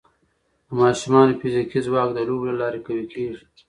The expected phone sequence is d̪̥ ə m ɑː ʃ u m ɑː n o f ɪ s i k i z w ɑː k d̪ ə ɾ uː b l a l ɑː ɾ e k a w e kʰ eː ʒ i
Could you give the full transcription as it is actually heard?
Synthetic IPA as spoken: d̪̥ ə m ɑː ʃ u m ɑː n o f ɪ z i k i z w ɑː k d̪ ə l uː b l a l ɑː ɾ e k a w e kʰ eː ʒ i